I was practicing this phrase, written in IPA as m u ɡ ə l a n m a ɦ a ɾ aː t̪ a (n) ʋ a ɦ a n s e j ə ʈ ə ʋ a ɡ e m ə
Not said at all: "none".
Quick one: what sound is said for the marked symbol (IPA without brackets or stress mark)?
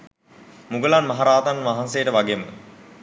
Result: n